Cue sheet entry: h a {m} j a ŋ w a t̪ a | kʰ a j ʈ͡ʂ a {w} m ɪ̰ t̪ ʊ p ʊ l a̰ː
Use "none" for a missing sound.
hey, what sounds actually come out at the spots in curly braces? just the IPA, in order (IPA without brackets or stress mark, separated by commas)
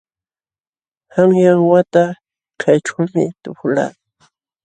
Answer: ŋ, w